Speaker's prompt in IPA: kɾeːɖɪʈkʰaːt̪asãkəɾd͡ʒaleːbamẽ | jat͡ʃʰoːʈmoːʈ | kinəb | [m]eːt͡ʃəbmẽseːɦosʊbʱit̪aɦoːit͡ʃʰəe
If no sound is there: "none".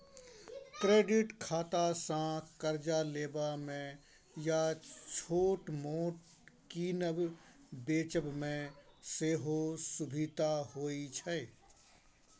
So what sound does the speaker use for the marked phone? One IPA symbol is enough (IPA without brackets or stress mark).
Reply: b